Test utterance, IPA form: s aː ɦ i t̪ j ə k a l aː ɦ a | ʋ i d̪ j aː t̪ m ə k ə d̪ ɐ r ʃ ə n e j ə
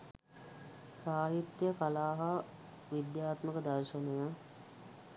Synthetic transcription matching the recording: s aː ɦ i t̪ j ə k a l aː ɦ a | ʋ i d̪ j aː t̪ m ə k ə d̪ ɐ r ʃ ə n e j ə